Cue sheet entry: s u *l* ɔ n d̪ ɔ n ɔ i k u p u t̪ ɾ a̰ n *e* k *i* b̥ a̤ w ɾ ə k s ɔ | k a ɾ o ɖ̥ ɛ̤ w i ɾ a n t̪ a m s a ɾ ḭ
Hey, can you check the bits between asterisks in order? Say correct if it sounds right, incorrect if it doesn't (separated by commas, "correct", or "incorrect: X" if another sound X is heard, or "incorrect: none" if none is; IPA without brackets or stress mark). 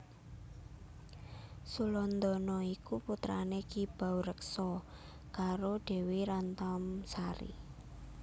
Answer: correct, correct, correct